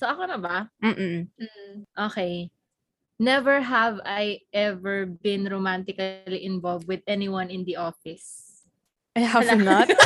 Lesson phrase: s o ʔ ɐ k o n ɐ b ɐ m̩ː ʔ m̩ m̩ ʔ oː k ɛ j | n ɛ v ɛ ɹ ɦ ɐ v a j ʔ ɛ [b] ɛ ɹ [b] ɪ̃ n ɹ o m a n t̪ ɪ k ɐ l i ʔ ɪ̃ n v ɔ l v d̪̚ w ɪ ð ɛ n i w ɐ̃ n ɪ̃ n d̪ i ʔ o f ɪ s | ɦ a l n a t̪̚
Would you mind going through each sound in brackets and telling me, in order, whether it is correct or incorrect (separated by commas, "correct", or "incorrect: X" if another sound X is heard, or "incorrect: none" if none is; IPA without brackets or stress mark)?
incorrect: v, correct